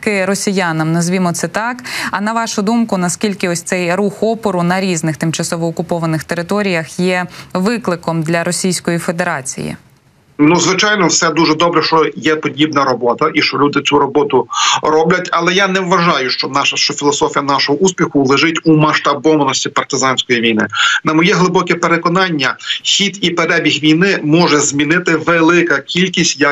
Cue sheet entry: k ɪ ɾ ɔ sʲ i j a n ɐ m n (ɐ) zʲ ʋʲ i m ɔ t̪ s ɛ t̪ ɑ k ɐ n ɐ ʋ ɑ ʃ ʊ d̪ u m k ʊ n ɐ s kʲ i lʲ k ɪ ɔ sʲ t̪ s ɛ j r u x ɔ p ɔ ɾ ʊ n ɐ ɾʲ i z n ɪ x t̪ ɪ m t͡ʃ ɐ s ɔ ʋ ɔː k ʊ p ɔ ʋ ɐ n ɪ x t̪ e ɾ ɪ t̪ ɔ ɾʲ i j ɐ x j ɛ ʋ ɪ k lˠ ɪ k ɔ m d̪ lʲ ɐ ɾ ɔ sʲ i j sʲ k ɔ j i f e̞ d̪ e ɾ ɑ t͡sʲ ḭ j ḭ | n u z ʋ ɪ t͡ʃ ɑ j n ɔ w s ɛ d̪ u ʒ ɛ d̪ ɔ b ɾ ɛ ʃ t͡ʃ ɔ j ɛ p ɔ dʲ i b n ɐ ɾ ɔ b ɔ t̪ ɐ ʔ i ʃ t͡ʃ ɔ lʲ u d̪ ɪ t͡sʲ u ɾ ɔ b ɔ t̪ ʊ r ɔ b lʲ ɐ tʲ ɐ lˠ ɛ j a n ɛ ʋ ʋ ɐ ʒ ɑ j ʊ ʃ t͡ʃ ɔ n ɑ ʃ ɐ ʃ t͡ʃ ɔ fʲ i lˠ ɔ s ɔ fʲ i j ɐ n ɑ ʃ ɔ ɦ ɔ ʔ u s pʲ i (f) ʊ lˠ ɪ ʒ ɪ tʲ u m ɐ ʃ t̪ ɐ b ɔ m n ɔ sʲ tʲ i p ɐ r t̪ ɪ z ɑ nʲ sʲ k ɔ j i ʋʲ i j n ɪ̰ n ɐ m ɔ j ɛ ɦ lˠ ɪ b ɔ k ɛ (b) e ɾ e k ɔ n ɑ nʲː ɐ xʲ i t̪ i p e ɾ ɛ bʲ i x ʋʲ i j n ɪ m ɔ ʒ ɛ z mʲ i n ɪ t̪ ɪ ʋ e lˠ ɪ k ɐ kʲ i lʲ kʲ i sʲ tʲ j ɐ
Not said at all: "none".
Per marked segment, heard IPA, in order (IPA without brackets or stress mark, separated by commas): ɐ, x, p